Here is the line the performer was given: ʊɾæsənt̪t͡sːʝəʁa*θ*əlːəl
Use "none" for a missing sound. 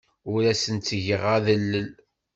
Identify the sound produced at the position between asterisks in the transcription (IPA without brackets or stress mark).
ð